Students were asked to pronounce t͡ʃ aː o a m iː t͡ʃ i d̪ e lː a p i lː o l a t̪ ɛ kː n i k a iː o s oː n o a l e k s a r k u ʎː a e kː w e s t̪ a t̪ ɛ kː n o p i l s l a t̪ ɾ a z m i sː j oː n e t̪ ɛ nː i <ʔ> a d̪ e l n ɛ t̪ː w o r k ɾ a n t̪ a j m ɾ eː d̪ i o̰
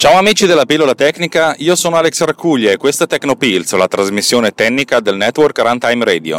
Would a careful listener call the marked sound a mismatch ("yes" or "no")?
yes